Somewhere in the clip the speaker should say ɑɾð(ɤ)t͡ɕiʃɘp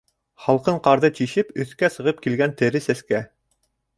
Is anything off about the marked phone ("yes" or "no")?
no